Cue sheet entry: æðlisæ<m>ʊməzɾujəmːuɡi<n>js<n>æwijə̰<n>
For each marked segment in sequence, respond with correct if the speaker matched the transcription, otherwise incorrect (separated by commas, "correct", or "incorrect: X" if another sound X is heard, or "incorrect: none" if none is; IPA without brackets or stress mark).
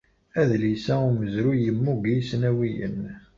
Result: incorrect: none, incorrect: none, correct, correct